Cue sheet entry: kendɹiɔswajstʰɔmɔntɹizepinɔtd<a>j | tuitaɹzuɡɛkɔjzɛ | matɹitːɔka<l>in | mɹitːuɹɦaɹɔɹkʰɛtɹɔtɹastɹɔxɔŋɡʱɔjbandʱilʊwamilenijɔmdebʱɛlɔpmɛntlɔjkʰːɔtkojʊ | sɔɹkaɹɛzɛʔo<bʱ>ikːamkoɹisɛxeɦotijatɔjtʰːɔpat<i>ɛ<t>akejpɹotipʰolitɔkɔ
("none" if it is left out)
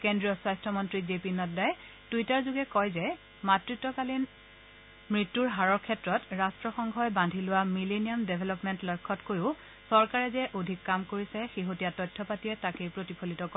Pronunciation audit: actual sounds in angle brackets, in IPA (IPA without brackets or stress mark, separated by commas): a, l, dʱ, i, t